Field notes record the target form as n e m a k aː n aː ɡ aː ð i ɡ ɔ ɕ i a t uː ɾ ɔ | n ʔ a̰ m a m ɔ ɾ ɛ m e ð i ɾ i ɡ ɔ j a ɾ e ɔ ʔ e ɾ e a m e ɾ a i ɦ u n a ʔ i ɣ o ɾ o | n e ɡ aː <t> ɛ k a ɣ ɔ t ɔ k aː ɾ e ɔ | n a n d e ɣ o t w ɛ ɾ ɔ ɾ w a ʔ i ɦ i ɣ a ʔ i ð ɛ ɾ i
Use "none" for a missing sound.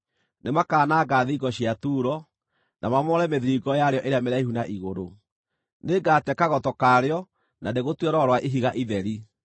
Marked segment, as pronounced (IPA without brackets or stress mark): t